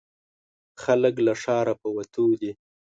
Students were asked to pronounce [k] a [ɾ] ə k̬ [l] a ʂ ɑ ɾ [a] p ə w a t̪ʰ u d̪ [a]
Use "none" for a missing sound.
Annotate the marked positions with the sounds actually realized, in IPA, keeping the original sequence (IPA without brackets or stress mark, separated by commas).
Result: x, l, l, a, i